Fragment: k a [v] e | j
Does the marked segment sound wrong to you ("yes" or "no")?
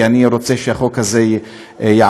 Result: yes